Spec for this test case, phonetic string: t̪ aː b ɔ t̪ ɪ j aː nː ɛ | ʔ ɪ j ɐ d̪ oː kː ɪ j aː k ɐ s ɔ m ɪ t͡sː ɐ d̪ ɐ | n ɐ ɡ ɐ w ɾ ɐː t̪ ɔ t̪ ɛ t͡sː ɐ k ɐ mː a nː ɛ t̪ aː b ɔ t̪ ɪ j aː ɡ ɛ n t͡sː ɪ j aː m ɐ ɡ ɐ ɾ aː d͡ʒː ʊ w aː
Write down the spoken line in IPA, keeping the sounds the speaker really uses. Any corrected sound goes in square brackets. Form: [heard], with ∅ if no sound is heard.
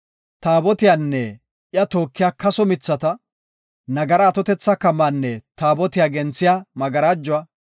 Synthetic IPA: t̪ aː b ɔ t̪ ɪ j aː nː ɛ | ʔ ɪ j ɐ [t̪] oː kː ɪ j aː k ɐ s ɔ m ɪ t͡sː ɐ [t̪] ɐ | n ɐ ɡ ɐ [∅] ɾ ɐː t̪ ɔ t̪ ɛ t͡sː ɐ k ɐ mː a nː ɛ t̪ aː b ɔ t̪ ɪ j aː ɡ ɛ n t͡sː ɪ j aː m ɐ ɡ ɐ ɾ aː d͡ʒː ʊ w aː